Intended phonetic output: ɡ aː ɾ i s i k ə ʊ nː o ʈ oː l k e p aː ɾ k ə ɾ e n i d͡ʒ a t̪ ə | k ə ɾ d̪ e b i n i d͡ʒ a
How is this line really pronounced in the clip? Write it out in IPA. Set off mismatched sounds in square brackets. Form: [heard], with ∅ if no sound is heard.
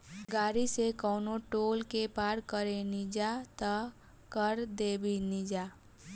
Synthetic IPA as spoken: ɡ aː ɾ i s [e] k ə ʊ [n] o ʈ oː l k e p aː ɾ k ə ɾ e n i d͡ʒ a t̪ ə | k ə ɾ d̪ e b i n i d͡ʒ a